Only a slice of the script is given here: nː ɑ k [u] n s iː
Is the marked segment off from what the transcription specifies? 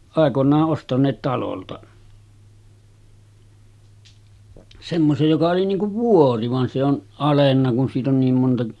no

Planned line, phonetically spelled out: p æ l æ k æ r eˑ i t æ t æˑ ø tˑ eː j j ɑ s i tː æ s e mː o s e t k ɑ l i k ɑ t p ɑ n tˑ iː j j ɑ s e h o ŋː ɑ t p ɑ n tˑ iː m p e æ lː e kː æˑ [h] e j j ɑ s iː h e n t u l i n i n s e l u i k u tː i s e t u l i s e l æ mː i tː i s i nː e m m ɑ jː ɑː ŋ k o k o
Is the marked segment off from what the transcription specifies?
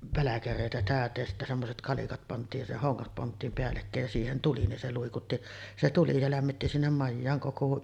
yes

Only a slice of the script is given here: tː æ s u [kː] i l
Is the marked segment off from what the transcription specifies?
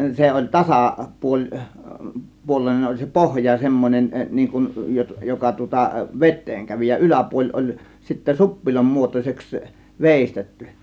yes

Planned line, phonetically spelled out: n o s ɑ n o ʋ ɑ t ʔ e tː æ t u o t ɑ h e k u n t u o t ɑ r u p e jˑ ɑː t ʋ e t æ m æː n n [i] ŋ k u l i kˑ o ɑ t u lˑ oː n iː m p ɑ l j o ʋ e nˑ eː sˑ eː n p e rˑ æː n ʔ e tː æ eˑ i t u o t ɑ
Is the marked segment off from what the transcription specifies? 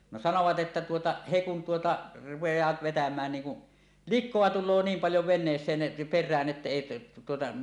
yes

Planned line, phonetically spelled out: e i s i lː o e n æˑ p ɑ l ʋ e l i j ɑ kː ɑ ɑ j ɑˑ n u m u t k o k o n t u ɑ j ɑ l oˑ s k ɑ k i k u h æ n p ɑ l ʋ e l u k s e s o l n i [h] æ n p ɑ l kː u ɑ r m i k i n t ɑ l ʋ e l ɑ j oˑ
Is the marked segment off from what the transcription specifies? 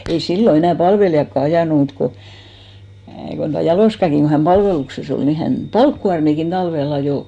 no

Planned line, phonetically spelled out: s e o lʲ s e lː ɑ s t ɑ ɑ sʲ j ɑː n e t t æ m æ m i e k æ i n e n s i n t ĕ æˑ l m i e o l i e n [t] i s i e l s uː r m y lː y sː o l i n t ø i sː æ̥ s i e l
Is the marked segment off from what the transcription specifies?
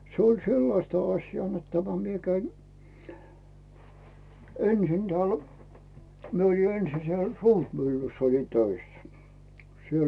yes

